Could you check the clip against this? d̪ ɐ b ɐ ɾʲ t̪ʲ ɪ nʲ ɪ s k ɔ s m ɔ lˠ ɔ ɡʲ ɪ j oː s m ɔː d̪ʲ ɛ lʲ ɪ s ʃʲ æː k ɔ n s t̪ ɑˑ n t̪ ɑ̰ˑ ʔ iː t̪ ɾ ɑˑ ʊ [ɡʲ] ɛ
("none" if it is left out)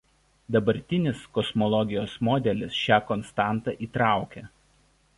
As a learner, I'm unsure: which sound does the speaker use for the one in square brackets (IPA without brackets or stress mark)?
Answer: kʲ